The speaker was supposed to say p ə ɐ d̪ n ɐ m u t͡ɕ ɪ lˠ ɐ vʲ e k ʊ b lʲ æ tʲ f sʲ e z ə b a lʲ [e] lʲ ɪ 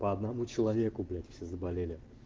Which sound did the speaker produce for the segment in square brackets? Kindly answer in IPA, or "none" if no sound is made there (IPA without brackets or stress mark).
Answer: e